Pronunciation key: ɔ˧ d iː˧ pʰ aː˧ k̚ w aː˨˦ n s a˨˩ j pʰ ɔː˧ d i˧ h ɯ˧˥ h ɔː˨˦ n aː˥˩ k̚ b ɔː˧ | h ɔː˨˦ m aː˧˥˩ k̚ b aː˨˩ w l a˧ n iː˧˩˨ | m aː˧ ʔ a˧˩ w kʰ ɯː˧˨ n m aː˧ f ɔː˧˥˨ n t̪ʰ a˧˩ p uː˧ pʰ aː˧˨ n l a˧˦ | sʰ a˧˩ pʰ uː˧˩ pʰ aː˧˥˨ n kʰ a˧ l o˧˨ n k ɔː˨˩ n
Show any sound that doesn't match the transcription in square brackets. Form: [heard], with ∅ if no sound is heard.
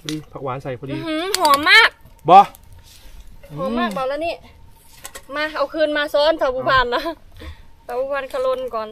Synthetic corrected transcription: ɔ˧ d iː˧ pʰ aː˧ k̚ w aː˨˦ n s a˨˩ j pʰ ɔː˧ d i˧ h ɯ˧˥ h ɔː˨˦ [m] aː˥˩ k̚ b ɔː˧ | h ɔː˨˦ m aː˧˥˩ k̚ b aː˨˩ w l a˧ n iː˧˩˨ | m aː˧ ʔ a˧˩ w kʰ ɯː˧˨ n m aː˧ [s] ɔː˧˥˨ n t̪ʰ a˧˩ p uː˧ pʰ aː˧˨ n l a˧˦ | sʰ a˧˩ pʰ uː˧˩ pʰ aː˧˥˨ n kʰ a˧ l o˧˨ n k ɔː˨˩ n